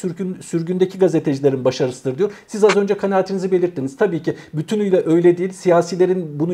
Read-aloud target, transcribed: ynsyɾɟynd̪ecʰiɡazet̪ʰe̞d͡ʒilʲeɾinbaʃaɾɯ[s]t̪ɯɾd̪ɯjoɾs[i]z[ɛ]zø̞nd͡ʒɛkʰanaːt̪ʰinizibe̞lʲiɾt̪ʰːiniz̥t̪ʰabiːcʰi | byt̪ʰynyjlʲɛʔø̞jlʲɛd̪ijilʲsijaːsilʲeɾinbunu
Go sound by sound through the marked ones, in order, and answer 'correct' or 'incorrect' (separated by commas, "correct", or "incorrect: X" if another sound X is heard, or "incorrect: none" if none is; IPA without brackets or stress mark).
correct, correct, incorrect: a